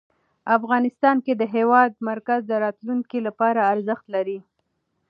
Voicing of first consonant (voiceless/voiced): voiceless